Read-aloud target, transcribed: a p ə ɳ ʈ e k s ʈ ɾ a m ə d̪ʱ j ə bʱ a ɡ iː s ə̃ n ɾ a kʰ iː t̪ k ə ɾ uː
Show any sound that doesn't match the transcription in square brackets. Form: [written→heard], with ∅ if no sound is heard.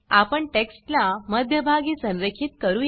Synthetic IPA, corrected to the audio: a p ə ɳ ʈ e k s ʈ [ɾ→l] a m ə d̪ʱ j ə bʱ a ɡ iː s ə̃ n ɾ [a→e] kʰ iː t̪ k ə ɾ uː